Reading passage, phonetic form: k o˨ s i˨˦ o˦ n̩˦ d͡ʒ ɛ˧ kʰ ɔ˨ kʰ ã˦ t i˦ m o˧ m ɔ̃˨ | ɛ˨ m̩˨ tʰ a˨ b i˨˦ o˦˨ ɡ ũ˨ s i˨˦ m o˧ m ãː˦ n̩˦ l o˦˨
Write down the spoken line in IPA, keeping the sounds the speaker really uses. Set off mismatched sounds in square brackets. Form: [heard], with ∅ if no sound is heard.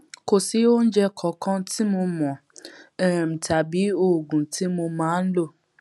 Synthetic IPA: k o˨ s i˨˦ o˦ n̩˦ d͡ʒ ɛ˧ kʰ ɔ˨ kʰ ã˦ t i˦ m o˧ m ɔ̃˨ | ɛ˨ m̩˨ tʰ a˨ b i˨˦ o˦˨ ɡ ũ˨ [t] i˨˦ m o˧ m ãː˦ n̩˦ l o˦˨